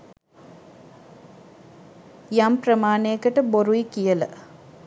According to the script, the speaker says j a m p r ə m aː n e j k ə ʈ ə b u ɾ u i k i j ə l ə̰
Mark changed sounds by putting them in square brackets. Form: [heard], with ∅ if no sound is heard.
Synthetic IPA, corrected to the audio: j a m p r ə m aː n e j k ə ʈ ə b [o] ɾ u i k i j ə l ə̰